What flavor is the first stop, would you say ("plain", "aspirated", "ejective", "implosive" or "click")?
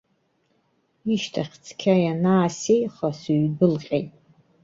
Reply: aspirated